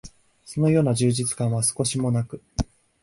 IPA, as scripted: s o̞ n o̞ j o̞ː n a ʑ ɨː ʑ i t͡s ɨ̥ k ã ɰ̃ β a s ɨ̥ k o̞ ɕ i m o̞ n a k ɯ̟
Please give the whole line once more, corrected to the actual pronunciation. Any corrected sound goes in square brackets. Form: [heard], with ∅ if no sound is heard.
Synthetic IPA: s o̞ n o̞ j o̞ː n a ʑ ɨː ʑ i t͡s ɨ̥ k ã ɰ̃ β a s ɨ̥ k o̞ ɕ i m o̞ n a k ɯ̟